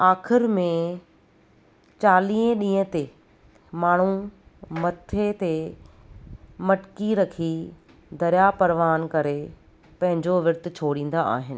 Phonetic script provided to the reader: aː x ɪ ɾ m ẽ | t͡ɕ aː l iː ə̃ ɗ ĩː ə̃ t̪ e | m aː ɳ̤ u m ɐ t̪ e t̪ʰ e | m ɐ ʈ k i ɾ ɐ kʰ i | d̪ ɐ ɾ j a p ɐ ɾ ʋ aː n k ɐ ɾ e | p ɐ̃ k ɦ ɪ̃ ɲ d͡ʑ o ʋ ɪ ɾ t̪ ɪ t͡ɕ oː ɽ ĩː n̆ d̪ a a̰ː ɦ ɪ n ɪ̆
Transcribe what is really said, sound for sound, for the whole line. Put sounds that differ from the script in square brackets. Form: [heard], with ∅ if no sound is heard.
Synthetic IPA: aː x ɪ ɾ m ẽ | t͡ɕ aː l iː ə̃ ɗ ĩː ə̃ t̪ e | m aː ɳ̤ u m ɐ [t̪ʰ] e [t̪] e | m ɐ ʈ k i ɾ ɐ kʰ i | d̪ ɐ ɾ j a p ɐ ɾ ʋ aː n k ɐ ɾ e | p ɐ̃ [∅] ɦ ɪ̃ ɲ d͡ʑ o ʋ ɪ ɾ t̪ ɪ [t͡ɕʰ] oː ɽ ĩː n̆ d̪ a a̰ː ɦ ɪ n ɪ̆